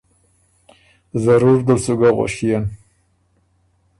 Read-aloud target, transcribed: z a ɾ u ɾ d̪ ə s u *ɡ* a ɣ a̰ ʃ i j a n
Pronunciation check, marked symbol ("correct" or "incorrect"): correct